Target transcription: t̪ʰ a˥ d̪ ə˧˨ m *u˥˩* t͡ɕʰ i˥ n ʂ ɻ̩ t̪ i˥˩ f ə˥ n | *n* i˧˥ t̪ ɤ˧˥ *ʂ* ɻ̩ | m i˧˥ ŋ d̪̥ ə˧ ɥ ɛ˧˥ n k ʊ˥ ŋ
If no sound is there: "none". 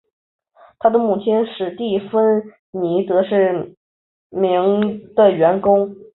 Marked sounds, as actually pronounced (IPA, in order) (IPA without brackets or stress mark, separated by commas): u˥˩, n, ʂ